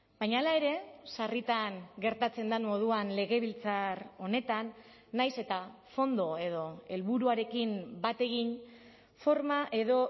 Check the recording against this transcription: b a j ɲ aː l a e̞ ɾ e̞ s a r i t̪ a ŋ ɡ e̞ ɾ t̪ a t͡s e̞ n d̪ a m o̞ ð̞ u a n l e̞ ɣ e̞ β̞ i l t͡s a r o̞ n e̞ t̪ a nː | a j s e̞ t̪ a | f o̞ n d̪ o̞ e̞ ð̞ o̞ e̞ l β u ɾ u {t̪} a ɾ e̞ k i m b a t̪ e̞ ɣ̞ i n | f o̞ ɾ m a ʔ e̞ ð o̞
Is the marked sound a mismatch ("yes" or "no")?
yes